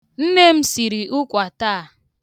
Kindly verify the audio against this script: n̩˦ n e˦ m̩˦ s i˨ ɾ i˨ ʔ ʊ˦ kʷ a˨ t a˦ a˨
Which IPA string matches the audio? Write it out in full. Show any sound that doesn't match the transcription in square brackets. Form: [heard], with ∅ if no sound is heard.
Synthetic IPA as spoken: n̩˦ n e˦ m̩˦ s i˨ ɾ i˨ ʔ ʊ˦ kʷ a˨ t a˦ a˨